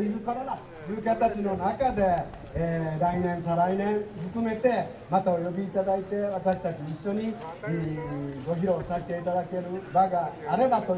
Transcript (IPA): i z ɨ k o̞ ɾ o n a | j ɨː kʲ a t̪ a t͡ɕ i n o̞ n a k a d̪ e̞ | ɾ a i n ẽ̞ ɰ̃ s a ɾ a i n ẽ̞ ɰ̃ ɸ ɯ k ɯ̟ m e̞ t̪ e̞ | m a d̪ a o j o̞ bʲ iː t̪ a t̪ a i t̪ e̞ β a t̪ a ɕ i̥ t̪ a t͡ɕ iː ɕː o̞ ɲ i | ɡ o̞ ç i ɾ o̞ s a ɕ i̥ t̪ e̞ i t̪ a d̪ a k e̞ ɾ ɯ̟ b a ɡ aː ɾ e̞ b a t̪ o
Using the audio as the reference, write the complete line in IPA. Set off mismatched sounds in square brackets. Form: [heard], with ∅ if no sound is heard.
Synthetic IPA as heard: i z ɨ k o̞ ɾ o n a | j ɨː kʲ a t̪ a t͡ɕ i n o̞ n a k a d̪ e̞ | ɾ a i n ẽ̞ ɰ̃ s a ɾ a i n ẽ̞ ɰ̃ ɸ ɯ k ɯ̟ m e̞ t̪ e̞ | m a [t̪] a o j o̞ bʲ iː t̪ a [d̪] a i t̪ e̞ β a t̪ a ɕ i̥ t̪ a t͡ɕ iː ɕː o̞ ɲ i | ɡ o̞ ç i ɾ o̞ s a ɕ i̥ t̪ e̞ i t̪ a d̪ a k e̞ ɾ ɯ̟ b a ɡ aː ɾ e̞ b a t̪ o